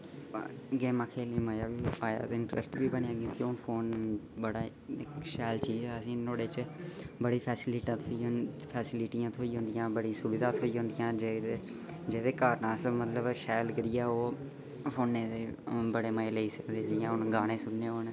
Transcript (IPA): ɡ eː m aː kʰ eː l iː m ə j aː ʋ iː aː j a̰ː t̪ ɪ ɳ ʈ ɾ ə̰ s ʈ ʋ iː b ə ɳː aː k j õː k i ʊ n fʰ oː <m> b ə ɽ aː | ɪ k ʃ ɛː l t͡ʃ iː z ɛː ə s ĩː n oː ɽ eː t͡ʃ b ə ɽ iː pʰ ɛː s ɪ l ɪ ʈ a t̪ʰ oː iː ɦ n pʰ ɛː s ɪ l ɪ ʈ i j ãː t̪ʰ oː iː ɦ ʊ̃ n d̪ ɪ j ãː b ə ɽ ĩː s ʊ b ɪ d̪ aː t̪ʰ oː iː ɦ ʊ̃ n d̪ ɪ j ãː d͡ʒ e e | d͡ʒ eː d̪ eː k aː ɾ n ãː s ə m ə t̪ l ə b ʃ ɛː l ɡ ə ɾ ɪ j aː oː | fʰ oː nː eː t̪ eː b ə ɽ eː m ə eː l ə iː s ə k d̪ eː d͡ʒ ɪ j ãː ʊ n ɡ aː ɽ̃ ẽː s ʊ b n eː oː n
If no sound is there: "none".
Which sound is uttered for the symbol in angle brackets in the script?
n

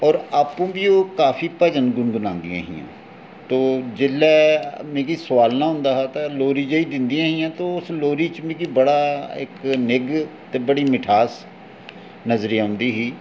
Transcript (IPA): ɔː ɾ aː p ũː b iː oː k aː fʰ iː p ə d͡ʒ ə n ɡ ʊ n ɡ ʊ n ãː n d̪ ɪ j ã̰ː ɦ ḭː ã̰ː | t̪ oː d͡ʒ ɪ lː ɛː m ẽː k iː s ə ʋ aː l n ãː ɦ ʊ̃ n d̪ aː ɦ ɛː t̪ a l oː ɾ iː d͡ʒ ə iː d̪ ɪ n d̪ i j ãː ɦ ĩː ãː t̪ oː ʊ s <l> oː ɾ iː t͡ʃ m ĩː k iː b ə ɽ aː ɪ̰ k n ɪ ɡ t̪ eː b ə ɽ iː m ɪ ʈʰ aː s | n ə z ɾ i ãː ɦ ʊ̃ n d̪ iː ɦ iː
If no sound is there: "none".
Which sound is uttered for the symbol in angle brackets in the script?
l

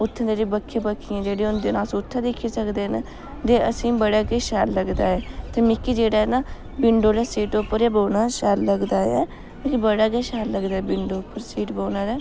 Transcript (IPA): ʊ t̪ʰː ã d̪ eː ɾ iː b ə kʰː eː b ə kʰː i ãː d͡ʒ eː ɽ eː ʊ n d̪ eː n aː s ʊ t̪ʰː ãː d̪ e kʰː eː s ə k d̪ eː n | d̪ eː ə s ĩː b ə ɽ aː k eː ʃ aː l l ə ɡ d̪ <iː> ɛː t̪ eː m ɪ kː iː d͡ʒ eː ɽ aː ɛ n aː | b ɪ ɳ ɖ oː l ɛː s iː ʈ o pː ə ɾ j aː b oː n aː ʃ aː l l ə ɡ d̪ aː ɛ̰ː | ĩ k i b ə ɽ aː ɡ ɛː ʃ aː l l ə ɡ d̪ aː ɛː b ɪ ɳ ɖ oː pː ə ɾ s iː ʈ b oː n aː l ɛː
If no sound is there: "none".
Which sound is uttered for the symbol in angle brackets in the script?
aː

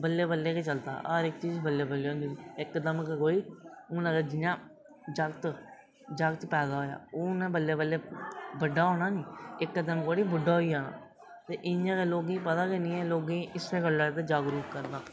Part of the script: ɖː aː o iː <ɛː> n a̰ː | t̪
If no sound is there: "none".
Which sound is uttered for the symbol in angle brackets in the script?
aː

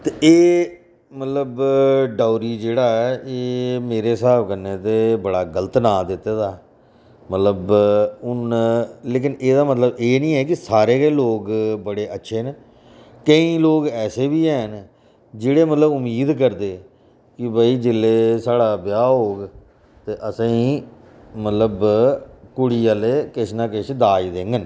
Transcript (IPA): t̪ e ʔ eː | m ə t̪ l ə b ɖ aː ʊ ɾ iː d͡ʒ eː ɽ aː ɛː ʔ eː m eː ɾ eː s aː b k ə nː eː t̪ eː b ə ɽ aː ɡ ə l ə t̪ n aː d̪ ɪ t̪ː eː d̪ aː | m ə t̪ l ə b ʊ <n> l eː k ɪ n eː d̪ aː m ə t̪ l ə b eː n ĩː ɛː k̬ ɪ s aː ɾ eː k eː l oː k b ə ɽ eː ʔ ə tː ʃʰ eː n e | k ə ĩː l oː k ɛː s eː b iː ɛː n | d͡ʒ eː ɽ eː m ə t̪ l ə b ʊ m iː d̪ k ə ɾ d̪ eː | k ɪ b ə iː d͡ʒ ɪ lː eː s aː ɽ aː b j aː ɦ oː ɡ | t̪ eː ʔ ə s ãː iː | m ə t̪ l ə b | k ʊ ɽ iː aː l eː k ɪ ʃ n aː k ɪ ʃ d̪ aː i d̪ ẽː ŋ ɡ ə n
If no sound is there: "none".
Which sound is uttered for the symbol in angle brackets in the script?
n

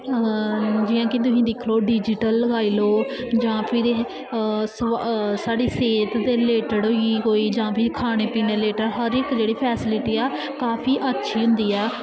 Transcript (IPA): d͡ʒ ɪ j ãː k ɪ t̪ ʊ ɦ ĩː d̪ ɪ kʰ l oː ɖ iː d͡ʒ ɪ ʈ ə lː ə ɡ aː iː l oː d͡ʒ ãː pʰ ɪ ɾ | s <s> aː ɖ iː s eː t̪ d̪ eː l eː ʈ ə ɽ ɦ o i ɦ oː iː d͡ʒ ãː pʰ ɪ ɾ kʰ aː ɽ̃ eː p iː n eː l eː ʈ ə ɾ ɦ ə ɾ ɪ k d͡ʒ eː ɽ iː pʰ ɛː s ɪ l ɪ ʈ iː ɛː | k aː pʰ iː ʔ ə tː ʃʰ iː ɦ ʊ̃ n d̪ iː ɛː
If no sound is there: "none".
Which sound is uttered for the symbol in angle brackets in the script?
s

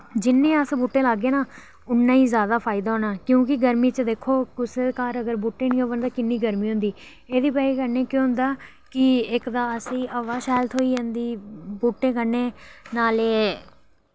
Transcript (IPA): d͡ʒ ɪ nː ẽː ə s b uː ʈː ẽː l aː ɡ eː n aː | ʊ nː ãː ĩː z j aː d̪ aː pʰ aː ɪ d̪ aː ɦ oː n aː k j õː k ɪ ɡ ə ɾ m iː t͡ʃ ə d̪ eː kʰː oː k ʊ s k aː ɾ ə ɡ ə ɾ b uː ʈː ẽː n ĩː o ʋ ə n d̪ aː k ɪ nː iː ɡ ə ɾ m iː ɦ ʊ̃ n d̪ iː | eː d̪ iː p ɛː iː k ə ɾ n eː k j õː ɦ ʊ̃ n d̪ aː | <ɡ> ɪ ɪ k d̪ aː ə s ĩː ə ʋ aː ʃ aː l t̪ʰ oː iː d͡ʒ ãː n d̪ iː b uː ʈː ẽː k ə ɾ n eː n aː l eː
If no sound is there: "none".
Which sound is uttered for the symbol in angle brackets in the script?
k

